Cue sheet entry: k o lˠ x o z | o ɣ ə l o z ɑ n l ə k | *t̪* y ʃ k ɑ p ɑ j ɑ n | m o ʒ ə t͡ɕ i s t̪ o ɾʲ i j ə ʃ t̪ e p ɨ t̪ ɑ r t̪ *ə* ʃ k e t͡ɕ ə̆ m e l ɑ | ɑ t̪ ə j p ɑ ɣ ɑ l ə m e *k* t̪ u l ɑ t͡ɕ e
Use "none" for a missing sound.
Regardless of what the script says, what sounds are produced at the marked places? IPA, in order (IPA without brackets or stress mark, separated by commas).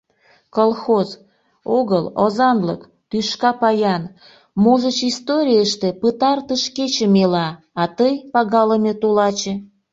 t̪, ə, none